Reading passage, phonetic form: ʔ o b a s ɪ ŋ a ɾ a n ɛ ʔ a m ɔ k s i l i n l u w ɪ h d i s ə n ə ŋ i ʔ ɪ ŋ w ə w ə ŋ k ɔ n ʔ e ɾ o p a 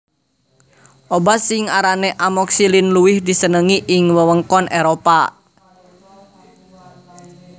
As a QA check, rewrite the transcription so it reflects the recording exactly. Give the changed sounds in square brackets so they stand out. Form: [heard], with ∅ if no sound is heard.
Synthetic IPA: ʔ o b a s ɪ ŋ a ɾ a n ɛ ʔ a m ɔ k s i l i n l u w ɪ h d i s ə n ə ŋ i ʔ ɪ ŋ w ə w ə ŋ k ɔ n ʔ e ɾ o p a